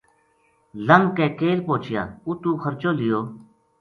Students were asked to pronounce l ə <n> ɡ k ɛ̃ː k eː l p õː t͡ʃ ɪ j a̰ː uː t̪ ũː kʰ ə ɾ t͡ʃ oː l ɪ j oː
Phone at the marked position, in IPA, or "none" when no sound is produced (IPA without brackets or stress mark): ŋ